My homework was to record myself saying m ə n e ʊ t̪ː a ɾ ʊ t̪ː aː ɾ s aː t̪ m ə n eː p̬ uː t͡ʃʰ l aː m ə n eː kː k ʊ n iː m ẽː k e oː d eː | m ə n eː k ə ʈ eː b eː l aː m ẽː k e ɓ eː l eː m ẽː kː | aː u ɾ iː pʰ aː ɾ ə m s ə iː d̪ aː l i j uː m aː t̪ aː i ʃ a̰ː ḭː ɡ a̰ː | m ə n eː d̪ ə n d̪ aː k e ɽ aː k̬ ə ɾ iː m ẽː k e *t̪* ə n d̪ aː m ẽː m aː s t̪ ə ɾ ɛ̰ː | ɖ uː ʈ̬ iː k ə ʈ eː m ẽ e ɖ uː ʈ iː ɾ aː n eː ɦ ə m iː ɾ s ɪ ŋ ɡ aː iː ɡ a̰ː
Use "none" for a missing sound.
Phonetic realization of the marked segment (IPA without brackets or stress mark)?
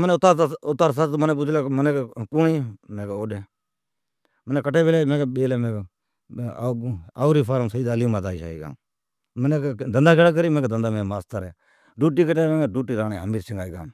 d̪